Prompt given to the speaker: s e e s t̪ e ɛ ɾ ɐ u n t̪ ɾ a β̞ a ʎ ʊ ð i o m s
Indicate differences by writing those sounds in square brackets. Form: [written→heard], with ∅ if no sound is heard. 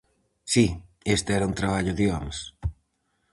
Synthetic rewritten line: s [e→i] e s t̪ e ɛ ɾ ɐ u n t̪ ɾ a β̞ a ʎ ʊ ð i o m s